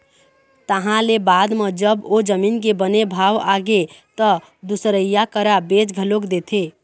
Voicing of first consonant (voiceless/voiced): voiceless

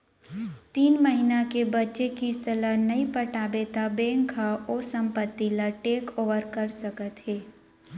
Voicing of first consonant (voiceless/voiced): voiceless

